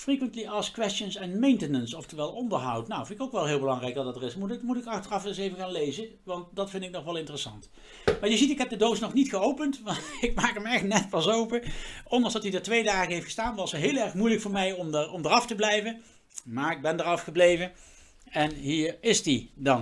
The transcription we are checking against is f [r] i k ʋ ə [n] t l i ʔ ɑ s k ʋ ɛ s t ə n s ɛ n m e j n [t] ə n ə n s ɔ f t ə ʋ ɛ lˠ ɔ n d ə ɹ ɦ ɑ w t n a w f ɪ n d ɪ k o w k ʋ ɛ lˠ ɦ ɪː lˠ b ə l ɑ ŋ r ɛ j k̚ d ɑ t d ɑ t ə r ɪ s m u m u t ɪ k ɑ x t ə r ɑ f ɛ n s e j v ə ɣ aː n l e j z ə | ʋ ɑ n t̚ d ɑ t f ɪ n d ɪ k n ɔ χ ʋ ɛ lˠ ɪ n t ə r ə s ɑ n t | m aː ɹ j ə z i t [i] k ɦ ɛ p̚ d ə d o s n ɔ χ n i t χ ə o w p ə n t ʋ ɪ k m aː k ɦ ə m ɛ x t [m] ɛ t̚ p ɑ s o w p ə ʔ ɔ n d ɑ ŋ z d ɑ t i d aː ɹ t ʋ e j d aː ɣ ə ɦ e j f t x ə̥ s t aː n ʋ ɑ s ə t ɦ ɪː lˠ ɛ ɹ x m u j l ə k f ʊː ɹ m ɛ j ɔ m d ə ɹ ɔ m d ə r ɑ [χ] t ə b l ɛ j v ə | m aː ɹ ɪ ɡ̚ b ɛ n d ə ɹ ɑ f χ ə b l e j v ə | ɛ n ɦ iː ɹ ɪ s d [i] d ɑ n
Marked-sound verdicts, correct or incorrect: correct, correct, correct, incorrect: ɪ, incorrect: n, incorrect: f, correct

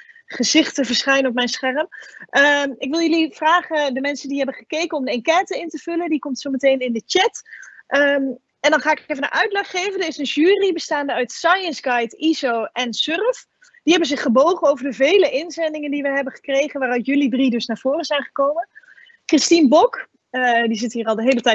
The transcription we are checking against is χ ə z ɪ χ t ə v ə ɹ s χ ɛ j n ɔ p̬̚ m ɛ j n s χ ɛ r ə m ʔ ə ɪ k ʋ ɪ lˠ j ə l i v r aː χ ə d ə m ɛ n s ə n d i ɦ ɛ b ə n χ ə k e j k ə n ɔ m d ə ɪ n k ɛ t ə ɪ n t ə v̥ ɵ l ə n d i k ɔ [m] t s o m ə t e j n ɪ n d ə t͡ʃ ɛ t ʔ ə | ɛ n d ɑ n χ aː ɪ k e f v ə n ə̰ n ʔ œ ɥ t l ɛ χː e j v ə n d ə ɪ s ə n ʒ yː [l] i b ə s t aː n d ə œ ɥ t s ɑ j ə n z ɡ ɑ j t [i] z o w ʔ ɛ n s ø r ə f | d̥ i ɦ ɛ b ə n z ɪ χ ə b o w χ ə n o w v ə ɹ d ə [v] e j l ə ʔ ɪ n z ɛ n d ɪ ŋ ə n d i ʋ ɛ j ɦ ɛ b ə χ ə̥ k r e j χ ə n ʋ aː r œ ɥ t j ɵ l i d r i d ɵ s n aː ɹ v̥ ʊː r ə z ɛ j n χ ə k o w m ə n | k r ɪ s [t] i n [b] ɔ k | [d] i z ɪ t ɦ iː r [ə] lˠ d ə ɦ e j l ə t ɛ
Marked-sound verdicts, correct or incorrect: correct, incorrect: r, correct, correct, correct, correct, correct, incorrect: ɑ

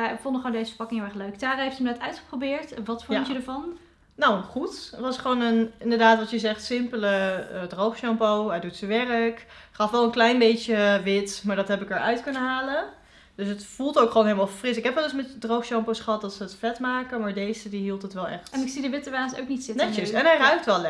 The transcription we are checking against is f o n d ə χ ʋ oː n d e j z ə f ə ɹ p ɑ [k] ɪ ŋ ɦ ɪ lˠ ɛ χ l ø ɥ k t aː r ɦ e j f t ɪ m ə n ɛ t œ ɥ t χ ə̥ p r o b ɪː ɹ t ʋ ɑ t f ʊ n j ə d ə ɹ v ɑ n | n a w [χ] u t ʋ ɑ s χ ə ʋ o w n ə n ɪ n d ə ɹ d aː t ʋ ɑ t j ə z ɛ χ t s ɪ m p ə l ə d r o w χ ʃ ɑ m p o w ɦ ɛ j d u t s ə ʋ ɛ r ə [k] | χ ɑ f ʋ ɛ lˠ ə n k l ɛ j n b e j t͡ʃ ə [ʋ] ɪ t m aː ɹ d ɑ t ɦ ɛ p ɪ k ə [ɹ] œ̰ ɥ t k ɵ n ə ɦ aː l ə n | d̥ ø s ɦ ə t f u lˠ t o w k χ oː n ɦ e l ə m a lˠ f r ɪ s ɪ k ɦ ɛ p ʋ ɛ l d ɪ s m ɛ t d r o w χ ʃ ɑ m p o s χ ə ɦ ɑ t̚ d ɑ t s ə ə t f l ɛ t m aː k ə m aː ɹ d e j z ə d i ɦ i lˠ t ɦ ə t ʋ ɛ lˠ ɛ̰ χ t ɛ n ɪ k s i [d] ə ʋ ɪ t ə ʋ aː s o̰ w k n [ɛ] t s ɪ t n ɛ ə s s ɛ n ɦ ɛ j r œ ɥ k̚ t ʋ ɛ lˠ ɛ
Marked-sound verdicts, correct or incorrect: correct, correct, correct, correct, correct, correct, incorrect: i

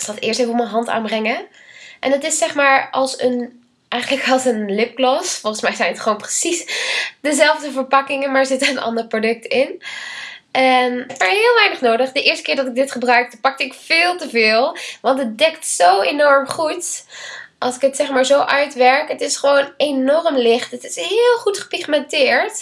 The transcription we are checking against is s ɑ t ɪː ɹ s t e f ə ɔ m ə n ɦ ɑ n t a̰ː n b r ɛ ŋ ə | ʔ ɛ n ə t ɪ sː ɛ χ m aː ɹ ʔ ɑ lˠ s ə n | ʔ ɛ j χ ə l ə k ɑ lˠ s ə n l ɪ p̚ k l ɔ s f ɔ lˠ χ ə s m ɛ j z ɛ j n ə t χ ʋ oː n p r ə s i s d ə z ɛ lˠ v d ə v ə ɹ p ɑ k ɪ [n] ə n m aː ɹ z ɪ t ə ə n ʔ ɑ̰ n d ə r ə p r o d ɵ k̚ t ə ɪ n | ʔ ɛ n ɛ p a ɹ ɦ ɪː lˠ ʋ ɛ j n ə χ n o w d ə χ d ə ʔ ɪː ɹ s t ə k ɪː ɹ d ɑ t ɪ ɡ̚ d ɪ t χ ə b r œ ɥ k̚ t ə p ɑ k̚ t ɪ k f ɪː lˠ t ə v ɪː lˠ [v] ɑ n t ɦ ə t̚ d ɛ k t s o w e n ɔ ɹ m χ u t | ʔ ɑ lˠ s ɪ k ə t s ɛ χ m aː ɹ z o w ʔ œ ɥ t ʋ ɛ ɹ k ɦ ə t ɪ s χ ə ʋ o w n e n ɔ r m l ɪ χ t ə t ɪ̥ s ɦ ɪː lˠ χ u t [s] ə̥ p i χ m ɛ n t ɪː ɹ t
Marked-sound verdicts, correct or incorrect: incorrect: ŋ, incorrect: ʋ, incorrect: χ

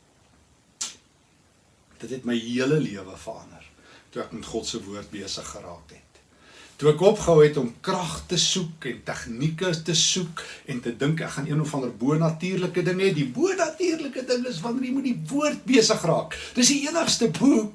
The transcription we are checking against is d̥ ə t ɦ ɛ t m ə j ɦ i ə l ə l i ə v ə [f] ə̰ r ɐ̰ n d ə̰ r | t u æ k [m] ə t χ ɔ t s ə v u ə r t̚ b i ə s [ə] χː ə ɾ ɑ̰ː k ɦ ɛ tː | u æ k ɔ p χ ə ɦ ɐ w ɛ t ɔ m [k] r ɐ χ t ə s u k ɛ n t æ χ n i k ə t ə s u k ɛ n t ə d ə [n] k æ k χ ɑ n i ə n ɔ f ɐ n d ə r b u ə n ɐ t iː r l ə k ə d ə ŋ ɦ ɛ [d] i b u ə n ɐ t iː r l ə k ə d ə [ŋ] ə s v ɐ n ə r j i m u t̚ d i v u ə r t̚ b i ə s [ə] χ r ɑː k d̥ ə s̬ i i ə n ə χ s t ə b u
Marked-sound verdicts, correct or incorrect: correct, correct, correct, correct, incorrect: ŋ, correct, correct, correct

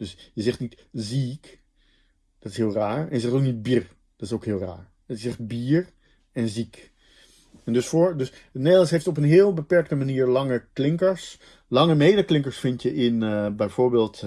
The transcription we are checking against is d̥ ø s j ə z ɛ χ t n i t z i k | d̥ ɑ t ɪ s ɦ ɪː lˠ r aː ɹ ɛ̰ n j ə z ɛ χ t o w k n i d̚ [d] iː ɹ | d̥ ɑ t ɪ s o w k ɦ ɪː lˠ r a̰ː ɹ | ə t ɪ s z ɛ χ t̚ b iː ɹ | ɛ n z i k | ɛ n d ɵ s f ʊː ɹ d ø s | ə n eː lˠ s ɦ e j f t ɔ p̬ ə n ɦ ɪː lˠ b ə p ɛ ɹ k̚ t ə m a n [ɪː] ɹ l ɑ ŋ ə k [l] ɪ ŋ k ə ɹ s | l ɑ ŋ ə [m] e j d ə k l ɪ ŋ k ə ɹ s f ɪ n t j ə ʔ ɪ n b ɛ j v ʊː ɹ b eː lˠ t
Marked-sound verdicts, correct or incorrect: incorrect: b, incorrect: iː, correct, correct

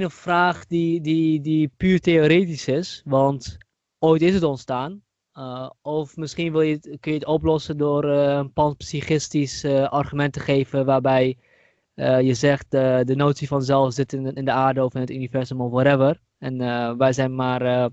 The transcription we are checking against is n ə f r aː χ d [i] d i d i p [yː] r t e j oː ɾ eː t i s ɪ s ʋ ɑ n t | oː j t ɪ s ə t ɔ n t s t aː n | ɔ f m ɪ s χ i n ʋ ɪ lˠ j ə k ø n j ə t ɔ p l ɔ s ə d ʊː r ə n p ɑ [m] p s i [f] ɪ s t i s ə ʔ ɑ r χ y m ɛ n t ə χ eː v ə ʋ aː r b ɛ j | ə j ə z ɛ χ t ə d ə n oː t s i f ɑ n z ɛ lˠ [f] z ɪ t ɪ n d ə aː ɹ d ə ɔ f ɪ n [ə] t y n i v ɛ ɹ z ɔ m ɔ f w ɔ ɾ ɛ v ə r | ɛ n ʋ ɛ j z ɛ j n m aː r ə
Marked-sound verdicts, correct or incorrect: correct, correct, incorrect: n, incorrect: χ, correct, correct

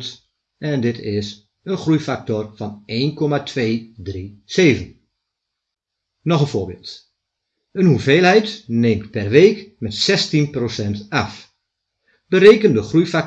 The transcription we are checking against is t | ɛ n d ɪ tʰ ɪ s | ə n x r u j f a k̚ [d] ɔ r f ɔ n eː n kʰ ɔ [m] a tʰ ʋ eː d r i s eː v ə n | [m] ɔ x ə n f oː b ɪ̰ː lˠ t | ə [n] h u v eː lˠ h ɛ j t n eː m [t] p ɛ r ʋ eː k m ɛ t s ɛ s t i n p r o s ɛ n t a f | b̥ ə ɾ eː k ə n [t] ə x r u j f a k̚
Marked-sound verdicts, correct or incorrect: incorrect: t, correct, incorrect: n, correct, correct, incorrect: d

